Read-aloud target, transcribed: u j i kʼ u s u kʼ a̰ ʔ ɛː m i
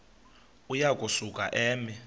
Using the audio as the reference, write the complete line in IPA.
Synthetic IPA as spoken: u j a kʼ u s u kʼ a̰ ʔ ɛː m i